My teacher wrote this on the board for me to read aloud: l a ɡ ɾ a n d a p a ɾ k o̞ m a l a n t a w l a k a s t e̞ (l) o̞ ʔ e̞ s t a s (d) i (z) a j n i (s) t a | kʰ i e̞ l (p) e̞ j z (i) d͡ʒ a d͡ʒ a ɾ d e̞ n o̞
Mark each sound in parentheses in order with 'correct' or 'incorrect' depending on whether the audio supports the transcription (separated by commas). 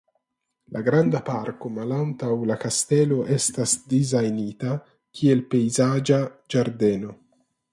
correct, correct, correct, incorrect, correct, incorrect